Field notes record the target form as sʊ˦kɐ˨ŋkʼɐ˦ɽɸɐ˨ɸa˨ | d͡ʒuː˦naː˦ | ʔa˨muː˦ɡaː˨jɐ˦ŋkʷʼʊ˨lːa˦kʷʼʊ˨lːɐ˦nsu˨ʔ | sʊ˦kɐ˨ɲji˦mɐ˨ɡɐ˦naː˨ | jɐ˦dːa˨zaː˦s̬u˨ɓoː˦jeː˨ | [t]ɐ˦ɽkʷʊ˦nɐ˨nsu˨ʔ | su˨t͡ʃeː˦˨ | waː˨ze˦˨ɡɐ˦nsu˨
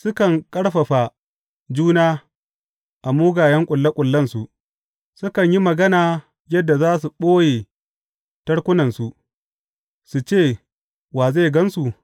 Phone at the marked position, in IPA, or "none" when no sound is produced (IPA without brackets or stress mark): t